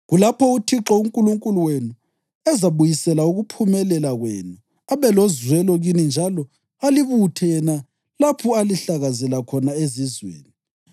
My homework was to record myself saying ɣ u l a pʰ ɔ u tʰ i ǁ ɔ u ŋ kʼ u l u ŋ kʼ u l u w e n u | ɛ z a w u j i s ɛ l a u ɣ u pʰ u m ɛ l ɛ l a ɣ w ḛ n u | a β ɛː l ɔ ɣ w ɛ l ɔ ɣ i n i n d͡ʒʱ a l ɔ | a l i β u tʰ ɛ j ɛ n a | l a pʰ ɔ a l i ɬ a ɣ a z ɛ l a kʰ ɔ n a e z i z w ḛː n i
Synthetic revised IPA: ɣ u l a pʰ ɔ u tʰ i ǁ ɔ u ŋ kʼ u l u ŋ kʼ u l u w e n u | ɛ z a β u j i s ɛ l a u ɣ u pʰ u m ɛ l ɛ l a ɣ w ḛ n u | a β ɛ l ɔ z w ɛ l ɔ ɣ i n i n d͡ʒʱ a l ɔ | a l i β u tʰ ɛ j ɛ n a | l a pʰ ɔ a l i ɬ a ɣ a z ɛ l a kʰ ɔ n a e z i z w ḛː n i

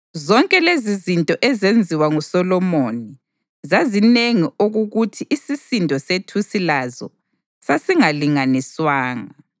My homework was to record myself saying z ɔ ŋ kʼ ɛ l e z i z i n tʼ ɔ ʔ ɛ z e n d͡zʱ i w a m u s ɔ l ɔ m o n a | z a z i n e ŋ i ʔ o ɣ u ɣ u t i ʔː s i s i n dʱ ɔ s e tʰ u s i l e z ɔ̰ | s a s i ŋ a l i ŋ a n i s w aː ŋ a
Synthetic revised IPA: z ɔ ŋ kʼ ɛ l e z i z i n tʼ ɔ ʔ ɛ z e n d͡zʱ i w a ŋ u s ɔ l ɔ m o n i | z a z i n e ŋ i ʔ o ɣ u ɣ u tʰ i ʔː s i s i n dʱ ɔ s e tʰ u s i l a z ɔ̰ | s a s i ŋ a l i ŋ a n i s w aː ŋ a

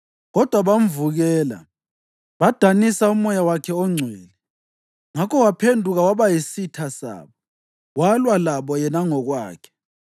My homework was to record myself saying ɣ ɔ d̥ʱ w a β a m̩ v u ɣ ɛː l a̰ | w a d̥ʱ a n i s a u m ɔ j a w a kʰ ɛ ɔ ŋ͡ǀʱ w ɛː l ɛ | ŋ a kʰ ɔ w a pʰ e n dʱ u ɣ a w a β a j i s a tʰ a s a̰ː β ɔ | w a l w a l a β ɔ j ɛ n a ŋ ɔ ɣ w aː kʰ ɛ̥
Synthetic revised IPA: ɣ ɔ d̥ʱ w a β a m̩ v u ɣ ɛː l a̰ | β a d̥ʱ a n i s a u m ɔ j a w a kʰ ɛ ɔ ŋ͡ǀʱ w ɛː l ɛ | ŋ a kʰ ɔ w a pʰ e n dʱ u ɣ a w a β a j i s i tʰ a s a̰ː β ɔ | w a l w a l a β ɔ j ɛ n a ŋ ɔ ɣ w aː kʰ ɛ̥

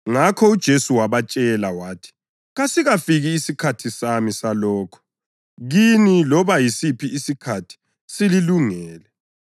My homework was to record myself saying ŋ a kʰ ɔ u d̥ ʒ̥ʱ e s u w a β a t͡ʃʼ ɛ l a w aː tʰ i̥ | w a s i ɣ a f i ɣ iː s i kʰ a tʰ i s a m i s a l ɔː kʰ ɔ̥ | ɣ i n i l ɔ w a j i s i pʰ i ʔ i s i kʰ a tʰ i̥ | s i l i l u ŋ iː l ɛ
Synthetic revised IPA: ŋ a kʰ ɔ u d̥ ʒ̥ʱ e s u w a β a t͡ʃʼ ɛ l a w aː tʰ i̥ | ɣ a s i ɣ a f i ɣ iː s i kʰ a tʰ i s a m i s a l ɔː kʰ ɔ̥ | ɣ i n i l ɔ β a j i s i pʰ i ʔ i s i kʰ a tʰ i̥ | s i l i l u ŋ ɛː l ɛ

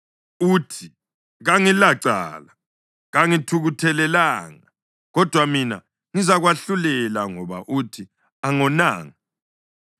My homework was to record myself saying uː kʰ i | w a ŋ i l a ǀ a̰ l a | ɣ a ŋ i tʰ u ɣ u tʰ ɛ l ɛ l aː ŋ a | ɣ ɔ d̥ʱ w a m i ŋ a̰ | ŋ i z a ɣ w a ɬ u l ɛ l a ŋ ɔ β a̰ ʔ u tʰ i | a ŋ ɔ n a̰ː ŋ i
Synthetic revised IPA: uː tʰ i | ɣ a ŋ i l a ǀ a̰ l a | ɣ a ŋ i tʰ u ɣ u tʰ ɛ l ɛ l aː ŋ a | ɣ ɔ d̥ʱ w a m i n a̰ | ŋ i z a ɣ w a ɬ u l ɛ l a ŋ ɔ β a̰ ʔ u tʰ i | a ŋ ɔ n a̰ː ŋ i

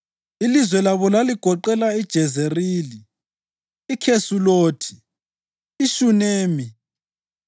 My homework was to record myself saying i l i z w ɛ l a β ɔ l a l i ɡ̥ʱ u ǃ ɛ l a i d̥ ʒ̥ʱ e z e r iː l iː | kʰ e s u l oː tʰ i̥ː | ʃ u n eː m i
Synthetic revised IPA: i l i z w ɛ l a β ɔ l a l i ɡ̥ʱ ɔ ǃ ɛ l a i d̥ ʒ̥ʱ ɛ z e r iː l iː | kʰ e s u l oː tʰ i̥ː | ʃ u n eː m i

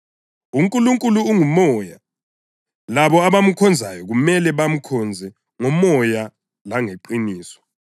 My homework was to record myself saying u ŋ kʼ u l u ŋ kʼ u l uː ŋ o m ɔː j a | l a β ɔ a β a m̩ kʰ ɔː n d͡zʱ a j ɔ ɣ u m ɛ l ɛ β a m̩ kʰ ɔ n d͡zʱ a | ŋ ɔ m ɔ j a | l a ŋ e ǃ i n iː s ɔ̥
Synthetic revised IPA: u ŋ kʼ u l u ŋ kʼ u l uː ŋ u m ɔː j a | l a β ɔ a β a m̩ kʰ ɔ n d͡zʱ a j ɔ ɣ u m ɛ l ɛ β a m̩ kʰ ɔ n d͡zʱ ɛ | ŋ ɔ m ɔ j a | l a ŋ e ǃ i n iː s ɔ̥

